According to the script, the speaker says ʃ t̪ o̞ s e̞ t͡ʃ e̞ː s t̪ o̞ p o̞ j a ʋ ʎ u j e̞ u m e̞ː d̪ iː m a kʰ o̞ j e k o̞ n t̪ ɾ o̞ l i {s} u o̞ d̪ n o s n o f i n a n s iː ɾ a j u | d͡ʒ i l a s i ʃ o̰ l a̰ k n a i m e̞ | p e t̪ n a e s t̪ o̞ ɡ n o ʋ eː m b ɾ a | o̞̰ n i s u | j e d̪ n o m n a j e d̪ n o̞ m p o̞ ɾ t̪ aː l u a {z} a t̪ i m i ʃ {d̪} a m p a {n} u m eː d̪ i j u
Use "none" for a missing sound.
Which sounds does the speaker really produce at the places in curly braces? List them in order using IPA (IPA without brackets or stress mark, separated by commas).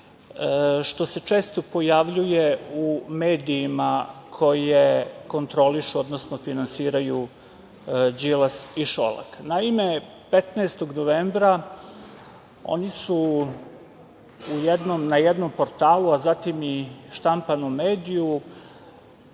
ʃ, z, t̪, n